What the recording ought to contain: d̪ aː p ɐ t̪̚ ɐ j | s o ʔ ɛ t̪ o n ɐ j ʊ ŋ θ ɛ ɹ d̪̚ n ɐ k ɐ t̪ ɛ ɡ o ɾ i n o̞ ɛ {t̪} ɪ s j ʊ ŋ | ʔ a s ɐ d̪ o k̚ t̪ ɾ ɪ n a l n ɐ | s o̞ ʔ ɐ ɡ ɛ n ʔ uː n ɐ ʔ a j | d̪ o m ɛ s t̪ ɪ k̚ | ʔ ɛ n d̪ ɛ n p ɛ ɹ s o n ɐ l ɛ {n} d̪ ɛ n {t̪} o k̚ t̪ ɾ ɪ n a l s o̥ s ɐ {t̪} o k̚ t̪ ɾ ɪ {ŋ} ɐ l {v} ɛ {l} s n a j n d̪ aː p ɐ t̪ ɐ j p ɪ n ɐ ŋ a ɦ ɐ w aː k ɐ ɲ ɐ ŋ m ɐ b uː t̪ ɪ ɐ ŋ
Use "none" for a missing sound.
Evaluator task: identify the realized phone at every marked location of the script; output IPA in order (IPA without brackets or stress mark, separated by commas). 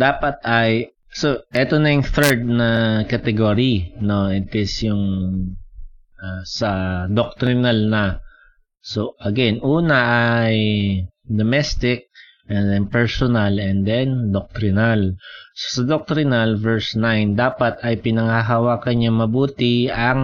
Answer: t̪, n, d̪, d̪, n, v, ɹ